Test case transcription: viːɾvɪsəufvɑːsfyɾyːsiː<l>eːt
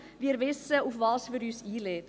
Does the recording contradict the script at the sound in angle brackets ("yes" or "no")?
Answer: no